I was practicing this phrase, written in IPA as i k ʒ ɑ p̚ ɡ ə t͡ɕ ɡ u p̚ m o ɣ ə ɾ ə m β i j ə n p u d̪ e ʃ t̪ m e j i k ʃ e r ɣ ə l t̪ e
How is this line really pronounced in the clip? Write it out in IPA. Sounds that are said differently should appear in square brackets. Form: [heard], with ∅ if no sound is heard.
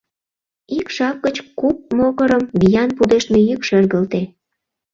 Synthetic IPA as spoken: i k [ʃ] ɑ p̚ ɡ ə t͡ɕ [k] u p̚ m o ɣ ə ɾ ə m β i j [ɑ] n p u d̪ e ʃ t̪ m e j [y] k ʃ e r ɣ ə l t̪ e